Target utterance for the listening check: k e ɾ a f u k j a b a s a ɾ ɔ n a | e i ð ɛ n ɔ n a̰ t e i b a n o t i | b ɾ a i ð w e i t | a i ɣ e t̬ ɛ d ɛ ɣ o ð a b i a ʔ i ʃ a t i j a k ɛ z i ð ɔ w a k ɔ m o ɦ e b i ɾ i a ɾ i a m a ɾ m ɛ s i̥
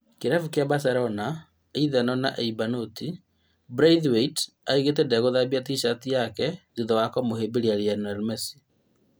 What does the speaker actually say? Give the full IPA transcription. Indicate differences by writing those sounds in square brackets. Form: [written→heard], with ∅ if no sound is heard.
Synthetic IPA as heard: k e ɾ a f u k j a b a s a ɾ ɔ n a | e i ð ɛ n ɔ n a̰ [t→ʔ] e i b a n o t i | b ɾ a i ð w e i t | a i ɣ e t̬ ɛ d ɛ ɣ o ð a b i a [ʔ→t] i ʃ a t i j a k ɛ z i ð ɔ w a k ɔ m o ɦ e b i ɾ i a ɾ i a [m→n] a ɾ m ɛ s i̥

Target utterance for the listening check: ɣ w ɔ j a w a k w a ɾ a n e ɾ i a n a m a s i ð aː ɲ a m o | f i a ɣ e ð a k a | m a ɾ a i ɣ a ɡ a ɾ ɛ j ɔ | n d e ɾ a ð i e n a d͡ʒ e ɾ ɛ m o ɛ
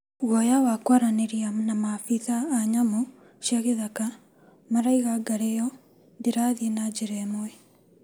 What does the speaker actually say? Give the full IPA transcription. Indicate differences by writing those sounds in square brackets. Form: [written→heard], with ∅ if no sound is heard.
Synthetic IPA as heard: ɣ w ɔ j a w a k w a ɾ a n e ɾ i a n a m a [s→f] i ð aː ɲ a m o | [f→ʃ] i a ɣ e ð a k a | m a ɾ a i ɣ a ɡ a ɾ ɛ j ɔ | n d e ɾ a ð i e n a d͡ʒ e ɾ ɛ m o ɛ

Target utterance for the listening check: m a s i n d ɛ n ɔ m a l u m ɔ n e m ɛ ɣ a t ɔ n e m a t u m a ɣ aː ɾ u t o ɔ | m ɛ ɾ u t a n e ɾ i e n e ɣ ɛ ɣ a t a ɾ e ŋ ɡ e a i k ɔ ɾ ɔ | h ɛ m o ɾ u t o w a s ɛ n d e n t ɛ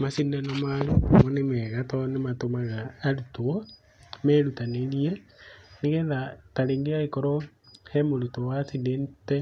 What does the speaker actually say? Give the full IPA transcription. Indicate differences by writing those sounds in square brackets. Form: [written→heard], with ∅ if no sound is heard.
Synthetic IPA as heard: m a s i n d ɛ n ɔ m a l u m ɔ n e m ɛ ɣ a t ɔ n e m a t [u→o] m a ɣ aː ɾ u t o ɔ | m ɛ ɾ u t a n e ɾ i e n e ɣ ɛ [ɣ→ð] a t a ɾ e ŋ ɡ e a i k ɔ ɾ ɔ | h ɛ m o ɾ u t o w a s [ɛ→i] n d e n t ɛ

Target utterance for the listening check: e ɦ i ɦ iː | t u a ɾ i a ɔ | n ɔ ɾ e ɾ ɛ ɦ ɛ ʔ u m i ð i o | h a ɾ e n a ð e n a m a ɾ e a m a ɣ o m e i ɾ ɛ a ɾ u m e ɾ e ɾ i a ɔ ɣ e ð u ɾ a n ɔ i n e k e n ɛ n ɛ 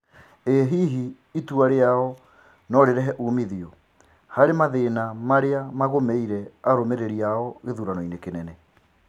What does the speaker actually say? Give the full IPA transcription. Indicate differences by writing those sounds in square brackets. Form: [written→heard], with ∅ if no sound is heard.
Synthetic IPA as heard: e ɦ i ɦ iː | t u a ɾ [i→e] a ɔ | n ɔ ɾ e ɾ ɛ ɦ ɛ ʔ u m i ð i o | h a ɾ e [n→m] a ð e n a m a ɾ e a m a ɣ o m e i ɾ ɛ a ɾ [u→o] m e ɾ e ɾ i a ɔ ɣ e ð u ɾ a n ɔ i n e k e n ɛ n ɛ

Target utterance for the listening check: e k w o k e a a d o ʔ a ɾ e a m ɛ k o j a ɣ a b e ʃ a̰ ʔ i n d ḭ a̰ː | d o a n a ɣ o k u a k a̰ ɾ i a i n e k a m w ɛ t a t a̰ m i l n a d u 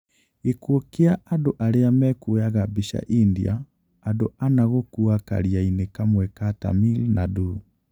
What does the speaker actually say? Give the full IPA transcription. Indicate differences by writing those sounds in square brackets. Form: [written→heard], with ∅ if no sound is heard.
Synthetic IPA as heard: e k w o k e a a d o ʔ a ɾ e a m ɛ k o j a ɣ a b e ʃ a̰ ʔ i n d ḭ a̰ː | d o a n a ɣ o k u a k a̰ ɾ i a i n e k a m w ɛ [t→k] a t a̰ m i l n a d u

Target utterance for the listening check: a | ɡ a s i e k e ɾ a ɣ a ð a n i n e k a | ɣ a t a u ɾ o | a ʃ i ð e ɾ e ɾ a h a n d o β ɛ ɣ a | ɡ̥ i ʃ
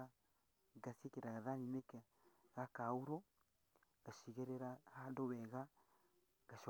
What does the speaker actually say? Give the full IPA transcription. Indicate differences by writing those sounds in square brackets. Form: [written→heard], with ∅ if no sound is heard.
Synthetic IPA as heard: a | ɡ a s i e k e ɾ a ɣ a ð a n i n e k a | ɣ a [t→k] a u ɾ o | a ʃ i [ð→ɣ] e ɾ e ɾ a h a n d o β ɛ ɣ a | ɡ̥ [i→a] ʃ

